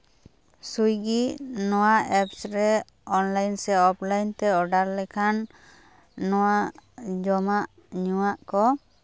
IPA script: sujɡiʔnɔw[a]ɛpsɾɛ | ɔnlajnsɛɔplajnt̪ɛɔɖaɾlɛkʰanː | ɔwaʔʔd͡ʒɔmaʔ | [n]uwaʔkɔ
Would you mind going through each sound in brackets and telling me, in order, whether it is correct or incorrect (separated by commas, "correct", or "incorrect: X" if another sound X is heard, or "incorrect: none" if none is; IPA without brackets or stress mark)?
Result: correct, incorrect: ɲ